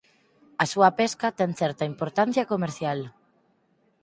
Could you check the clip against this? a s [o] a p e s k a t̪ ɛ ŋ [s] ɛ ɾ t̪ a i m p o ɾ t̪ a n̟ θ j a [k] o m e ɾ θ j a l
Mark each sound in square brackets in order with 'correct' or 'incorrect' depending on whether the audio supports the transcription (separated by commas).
incorrect, incorrect, correct